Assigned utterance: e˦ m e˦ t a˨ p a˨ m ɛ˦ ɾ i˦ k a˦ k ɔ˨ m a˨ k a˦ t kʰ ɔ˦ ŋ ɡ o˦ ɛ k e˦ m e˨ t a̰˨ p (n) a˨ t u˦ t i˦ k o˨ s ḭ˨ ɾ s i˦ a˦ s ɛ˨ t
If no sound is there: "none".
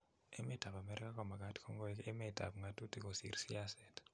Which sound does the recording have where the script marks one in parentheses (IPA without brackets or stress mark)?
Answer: ŋ